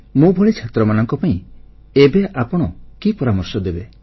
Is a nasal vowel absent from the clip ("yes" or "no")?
no